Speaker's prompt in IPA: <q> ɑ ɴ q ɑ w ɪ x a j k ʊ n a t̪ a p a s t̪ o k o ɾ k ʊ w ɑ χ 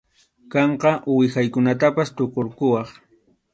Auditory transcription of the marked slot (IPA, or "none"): k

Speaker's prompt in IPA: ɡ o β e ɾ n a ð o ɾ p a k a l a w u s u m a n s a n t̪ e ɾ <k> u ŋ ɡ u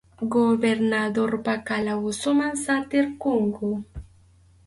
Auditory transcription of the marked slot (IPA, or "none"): k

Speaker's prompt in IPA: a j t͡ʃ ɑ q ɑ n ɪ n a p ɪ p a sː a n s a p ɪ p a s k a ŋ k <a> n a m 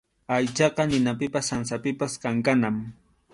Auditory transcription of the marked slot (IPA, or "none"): a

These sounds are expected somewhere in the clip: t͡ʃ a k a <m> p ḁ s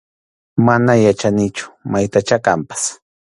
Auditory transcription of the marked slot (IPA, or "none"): m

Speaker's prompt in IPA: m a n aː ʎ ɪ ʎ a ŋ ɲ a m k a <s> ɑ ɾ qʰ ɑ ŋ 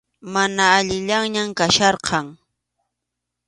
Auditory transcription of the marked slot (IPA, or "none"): ʃ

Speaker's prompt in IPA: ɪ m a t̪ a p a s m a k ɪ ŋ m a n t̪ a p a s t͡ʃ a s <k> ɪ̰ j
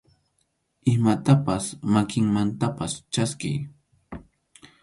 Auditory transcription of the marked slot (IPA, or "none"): k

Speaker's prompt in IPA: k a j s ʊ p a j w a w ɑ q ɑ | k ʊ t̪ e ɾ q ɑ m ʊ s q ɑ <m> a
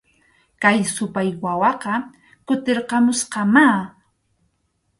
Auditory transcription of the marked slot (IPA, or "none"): m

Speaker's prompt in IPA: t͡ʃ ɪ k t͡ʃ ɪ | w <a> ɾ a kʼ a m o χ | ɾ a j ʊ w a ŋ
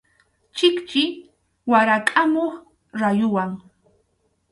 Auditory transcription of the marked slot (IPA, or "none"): a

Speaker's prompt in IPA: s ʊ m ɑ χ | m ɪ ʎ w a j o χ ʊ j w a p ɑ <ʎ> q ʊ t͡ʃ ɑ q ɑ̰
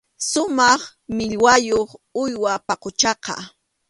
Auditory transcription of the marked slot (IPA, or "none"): none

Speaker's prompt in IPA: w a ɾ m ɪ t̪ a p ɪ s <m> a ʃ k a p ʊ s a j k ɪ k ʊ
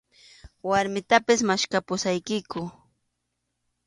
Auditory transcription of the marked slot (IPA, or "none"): m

